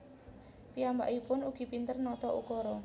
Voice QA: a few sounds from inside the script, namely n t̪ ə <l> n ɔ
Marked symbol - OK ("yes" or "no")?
no